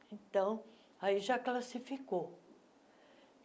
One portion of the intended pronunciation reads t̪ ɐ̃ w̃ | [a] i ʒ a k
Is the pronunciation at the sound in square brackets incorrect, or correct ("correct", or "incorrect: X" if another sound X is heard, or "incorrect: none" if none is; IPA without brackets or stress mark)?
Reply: correct